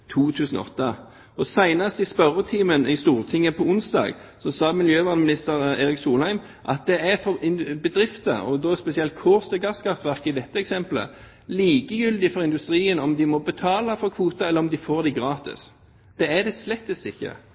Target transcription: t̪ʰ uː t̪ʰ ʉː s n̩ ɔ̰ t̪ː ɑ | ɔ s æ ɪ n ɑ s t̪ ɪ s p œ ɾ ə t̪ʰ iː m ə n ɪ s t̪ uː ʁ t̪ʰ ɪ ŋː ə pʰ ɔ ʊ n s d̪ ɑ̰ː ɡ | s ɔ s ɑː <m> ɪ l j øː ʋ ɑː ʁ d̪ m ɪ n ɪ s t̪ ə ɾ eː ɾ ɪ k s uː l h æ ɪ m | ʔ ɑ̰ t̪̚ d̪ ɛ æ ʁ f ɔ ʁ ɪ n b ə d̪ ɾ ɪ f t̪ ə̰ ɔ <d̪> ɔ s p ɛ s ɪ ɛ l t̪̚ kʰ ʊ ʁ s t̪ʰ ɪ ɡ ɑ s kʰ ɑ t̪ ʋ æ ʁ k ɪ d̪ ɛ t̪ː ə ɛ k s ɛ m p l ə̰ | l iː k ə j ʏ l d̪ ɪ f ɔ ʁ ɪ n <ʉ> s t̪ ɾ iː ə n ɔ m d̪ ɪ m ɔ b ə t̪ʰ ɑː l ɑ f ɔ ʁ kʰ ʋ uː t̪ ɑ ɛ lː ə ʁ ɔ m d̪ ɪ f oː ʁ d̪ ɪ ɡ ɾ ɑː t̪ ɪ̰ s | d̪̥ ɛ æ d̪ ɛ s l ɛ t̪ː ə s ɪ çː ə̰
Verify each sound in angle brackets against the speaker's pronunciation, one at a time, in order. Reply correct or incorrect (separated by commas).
correct, correct, correct